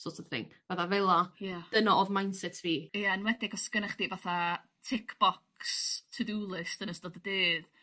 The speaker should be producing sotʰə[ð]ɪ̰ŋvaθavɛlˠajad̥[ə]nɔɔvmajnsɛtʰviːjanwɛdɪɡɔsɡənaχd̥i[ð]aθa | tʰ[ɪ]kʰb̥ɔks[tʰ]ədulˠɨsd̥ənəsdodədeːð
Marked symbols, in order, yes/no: no, yes, no, yes, yes

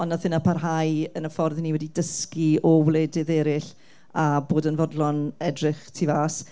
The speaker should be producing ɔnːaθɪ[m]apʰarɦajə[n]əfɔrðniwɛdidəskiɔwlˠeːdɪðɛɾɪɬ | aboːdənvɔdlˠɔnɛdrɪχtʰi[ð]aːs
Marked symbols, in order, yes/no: no, yes, no

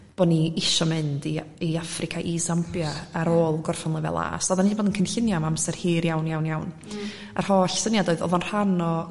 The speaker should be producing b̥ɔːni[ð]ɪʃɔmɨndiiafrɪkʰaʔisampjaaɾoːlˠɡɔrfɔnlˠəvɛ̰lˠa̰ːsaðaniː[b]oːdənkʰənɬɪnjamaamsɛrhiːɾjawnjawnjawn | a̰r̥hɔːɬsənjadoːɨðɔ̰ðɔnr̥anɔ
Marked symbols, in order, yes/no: no, yes

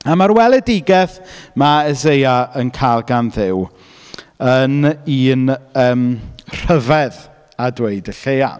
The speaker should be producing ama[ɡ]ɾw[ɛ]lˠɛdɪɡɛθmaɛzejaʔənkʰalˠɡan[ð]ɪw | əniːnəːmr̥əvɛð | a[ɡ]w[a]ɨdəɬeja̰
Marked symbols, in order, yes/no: no, yes, yes, no, no

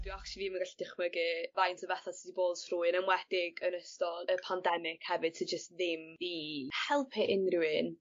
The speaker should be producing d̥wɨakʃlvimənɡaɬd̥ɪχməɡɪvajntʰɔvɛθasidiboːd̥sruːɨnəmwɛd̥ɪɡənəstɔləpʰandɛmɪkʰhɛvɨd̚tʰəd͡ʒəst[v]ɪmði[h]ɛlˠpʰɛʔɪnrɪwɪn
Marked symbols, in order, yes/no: no, yes

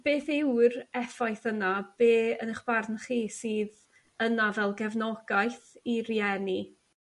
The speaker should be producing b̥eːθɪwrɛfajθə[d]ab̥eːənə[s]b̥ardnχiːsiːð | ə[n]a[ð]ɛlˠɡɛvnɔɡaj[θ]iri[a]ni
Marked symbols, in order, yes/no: no, no, yes, no, yes, no

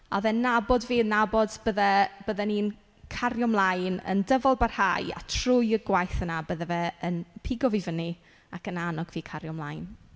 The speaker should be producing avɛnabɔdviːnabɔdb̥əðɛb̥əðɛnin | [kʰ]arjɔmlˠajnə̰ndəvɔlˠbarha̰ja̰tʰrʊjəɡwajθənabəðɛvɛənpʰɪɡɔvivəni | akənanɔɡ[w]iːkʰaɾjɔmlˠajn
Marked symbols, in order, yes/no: yes, no

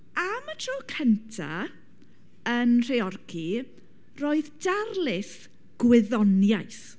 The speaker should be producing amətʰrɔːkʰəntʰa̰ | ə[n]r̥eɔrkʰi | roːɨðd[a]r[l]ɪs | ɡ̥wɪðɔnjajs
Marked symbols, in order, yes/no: yes, yes, yes

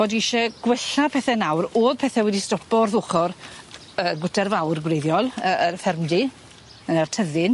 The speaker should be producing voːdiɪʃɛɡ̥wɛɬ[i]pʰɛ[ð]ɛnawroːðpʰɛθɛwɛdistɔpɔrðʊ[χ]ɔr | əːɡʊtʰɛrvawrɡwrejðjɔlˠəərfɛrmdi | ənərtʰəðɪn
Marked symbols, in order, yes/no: no, no, yes

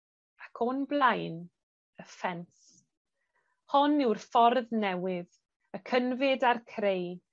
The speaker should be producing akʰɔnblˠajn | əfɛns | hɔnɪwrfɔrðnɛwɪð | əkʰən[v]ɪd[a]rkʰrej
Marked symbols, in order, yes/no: yes, yes

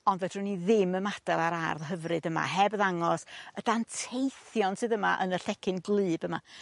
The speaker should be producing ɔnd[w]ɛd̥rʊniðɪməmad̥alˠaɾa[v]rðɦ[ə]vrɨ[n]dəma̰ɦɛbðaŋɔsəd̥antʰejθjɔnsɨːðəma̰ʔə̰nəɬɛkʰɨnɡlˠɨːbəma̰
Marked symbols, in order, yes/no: no, no, yes, no

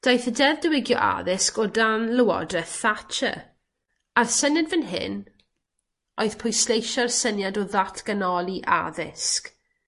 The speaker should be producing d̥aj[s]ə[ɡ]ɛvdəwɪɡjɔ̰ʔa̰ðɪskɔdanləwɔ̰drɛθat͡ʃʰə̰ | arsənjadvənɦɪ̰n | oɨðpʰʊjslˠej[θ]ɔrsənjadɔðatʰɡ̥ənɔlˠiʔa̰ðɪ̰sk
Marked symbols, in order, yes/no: no, no, no

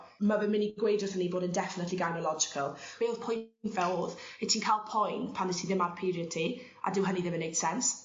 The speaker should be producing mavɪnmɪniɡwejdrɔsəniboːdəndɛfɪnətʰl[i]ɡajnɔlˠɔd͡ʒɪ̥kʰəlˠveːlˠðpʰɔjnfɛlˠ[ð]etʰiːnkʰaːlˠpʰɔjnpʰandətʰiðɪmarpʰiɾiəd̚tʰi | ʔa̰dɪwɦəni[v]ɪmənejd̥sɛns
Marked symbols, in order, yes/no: yes, yes, no

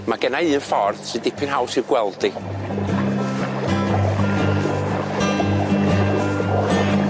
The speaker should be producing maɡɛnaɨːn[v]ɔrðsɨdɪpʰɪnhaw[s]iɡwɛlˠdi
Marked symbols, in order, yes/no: no, yes

